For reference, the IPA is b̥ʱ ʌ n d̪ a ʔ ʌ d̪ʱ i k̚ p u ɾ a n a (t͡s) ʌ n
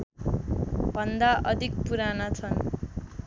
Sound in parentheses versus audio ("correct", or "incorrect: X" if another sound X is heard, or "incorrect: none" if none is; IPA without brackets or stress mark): incorrect: t͡sʰ